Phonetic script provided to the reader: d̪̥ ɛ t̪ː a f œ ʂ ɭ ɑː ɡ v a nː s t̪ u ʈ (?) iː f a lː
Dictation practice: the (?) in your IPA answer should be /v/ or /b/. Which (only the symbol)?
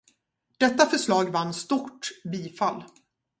b